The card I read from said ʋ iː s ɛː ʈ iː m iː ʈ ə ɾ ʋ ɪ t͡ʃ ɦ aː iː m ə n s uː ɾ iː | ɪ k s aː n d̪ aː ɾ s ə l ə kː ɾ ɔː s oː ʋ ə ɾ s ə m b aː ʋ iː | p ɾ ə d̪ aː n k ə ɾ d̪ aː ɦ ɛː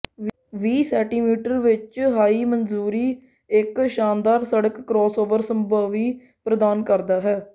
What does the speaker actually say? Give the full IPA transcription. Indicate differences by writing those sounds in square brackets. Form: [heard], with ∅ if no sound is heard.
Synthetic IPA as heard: ʋ iː s ɛː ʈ iː m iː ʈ ə ɾ ʋ ɪ t͡ʃ ɦ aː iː m ə n [z] uː ɾ iː | ɪ k [ʃ] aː n d̪ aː ɾ s ə [ɽ] ə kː ɾ ɔː s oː ʋ ə ɾ s ə m b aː ʋ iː | p ɾ ə d̪ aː n k ə ɾ d̪ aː ɦ ɛː